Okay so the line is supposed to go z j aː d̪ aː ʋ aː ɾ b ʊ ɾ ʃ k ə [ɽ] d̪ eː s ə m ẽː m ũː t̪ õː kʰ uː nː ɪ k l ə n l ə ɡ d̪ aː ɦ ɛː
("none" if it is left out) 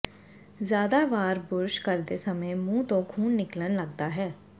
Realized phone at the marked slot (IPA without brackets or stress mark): ɾ